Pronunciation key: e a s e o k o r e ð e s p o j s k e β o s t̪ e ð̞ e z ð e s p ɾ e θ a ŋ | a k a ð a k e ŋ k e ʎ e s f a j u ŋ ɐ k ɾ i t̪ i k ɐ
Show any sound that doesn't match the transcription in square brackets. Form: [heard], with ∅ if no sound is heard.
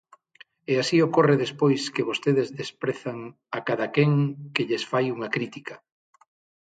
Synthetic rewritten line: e a s [i] o k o r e ð e s p o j s k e β o s t̪ e ð̞ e z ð e s p ɾ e θ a ŋ | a k a ð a k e ŋ k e ʎ e s f a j u ŋ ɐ k ɾ i t̪ i k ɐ

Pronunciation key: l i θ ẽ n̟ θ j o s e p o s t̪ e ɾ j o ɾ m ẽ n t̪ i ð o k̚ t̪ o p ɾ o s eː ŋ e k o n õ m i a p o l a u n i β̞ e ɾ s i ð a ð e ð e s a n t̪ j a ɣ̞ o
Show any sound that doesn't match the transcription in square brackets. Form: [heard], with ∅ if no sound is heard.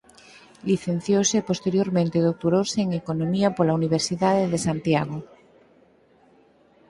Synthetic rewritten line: l i θ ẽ n̟ θ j o s e p o s t̪ e ɾ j o ɾ m ẽ n t̪ [e] ð o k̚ t̪ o [∅] ɾ o s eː ŋ e k o n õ m i a p o l a u n i β̞ e ɾ s i ð a ð e ð e s a n t̪ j a ɣ̞ o

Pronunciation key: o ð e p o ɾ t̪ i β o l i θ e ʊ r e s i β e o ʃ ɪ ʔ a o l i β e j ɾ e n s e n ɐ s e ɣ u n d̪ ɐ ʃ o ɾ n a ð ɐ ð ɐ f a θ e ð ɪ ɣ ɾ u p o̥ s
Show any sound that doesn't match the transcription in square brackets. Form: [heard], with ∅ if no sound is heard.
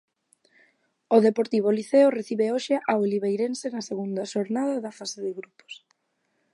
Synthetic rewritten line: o ð e p o ɾ t̪ i β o l i θ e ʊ r e [θ] i β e o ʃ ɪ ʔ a o l i β e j ɾ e n s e n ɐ s e ɣ u n d̪ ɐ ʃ o ɾ n a ð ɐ ð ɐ f a [s] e ð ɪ ɣ ɾ u p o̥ s

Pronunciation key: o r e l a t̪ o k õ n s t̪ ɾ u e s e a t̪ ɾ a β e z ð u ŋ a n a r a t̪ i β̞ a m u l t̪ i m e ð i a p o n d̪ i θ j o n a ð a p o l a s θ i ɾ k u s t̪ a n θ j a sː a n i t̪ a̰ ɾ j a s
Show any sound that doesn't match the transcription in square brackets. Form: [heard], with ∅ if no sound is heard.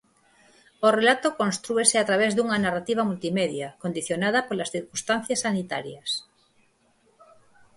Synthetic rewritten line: o r e l a t̪ o k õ n s t̪ ɾ u e s e a t̪ ɾ a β e z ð u ŋ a n a r a t̪ i β̞ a m u l t̪ i m e ð [j] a [k] o n d̪ i θ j o n a ð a p o l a s θ i ɾ k u s t̪ a n θ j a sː a n i t̪ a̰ ɾ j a s

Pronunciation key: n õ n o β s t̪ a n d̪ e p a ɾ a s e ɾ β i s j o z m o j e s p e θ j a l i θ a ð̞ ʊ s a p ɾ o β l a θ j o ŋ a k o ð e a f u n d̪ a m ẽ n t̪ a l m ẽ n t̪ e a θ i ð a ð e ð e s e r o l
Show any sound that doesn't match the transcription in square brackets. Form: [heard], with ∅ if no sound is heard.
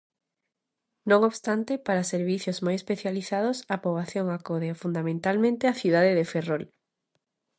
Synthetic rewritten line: n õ [ŋ] o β s t̪ a n [t̪] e p a ɾ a s e ɾ β i [θ] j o z m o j e s p e θ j a l i θ a ð̞ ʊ s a p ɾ o β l a θ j o ŋ a k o ð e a f u n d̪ a m ẽ n t̪ a l m ẽ n t̪ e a θ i ð a ð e ð e [f] e r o l

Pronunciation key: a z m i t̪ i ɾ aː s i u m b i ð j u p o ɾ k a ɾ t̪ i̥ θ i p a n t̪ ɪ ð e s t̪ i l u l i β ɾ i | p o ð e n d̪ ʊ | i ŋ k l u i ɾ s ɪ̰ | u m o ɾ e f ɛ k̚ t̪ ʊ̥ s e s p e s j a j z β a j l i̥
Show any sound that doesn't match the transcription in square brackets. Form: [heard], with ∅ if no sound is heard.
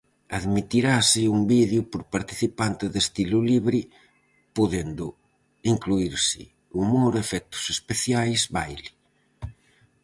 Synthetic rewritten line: a [ð] m i t̪ i ɾ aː s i u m b i ð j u p o ɾ [p] a ɾ t̪ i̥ θ i p a n t̪ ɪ ð e s t̪ i l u l i β ɾ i | p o ð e n d̪ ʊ | i ŋ k l u i ɾ s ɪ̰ | u m o ɾ e f ɛ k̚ t̪ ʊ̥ s e s p e [θ] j a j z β a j l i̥

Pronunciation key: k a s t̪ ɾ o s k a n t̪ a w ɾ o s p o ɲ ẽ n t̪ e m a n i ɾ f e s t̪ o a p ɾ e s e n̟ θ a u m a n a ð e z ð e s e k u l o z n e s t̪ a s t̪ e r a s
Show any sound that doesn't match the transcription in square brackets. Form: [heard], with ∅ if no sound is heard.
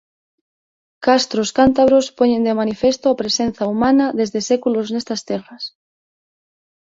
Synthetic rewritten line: k a s t̪ ɾ o s k a n t̪ a [β] ɾ o s p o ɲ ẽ n [d̪] e m a n i [∅] f e s t̪ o a p ɾ e s e n̟ θ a u m a n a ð e z ð e s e k u l o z n e s t̪ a s t̪ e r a s

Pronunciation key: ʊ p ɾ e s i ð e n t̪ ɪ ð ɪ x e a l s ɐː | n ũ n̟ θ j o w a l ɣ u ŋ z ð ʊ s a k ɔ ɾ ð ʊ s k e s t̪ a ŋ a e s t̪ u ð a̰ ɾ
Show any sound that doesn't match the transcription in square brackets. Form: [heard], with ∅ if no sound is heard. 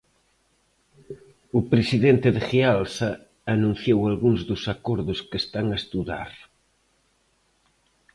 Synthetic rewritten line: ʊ p ɾ e s i ð e n t̪ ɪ ð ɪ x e a l s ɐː | n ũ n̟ θ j o w a l ɣ u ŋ z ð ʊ s a k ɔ ɾ ð ʊ s k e s t̪ a ŋ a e s t̪ u ð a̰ ɾ

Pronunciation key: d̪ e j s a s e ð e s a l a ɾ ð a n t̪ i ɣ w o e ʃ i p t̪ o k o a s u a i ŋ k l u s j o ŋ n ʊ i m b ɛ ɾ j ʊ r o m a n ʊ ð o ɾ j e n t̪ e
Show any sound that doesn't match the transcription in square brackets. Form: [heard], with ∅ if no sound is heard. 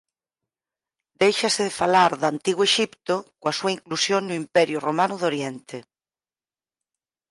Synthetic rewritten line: d̪ e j [ʃ] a s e ð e [f] a l a ɾ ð a n t̪ i ɣ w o e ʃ i p t̪ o k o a s u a i ŋ k l u s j o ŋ n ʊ i m [p] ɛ ɾ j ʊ r o m a n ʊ ð o ɾ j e n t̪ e

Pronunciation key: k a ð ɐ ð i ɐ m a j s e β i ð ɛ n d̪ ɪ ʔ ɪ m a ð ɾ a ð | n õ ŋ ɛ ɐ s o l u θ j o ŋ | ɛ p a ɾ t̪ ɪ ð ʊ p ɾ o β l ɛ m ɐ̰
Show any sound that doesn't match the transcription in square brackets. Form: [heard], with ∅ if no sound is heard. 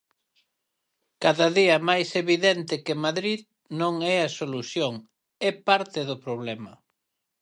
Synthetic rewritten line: k a ð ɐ ð i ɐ m a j s e β i ð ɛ n [t̪] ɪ [k] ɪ m a ð ɾ [i] ð | n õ ŋ ɛ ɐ s o l u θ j o ŋ | ɛ p a ɾ t̪ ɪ ð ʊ p ɾ o β l ɛ m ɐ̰

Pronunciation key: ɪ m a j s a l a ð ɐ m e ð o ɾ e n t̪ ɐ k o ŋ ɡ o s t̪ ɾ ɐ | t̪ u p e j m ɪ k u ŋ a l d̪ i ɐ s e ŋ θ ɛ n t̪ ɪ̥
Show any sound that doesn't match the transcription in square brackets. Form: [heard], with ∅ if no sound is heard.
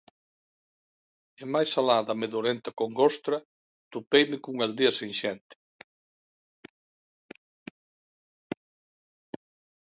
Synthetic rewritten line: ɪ m a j s a l a ð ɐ m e ð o ɾ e n t̪ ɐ k o ŋ ɡ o s t̪ ɾ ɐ | t̪ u p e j m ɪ k u ŋ a l d̪ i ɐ s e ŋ [ʃ] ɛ n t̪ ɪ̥

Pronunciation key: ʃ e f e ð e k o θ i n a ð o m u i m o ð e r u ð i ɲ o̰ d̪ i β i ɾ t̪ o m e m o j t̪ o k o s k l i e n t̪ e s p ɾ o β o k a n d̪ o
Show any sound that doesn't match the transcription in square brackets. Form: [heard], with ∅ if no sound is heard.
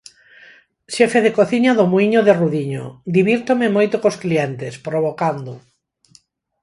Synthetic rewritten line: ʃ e f e ð e k o θ i [ɲ] a ð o m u i [ɲ] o ð e r u ð i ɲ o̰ d̪ i β i ɾ t̪ o m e m o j t̪ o k o s k l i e n t̪ e s p ɾ o β o k a n d̪ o

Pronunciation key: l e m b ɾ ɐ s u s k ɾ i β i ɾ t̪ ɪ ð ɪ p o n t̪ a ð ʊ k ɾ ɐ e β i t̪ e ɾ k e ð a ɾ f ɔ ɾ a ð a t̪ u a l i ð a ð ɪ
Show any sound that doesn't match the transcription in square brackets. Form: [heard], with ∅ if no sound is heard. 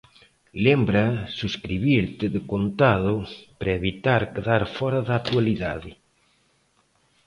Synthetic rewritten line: l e m b ɾ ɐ s u s k ɾ i β i ɾ t̪ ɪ ð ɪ [k] o n t̪ a ð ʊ [p] ɾ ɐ e β i t̪ [a] ɾ k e ð a ɾ f ɔ ɾ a ð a t̪ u a l i ð a ð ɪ

